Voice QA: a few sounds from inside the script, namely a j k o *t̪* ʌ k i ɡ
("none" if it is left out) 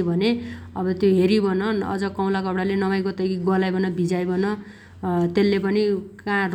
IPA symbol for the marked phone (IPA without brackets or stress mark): t̪